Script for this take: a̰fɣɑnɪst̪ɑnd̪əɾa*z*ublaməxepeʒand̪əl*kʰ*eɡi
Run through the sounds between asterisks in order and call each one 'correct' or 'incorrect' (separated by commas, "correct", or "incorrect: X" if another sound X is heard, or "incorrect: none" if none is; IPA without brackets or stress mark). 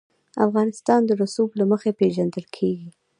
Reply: incorrect: s, correct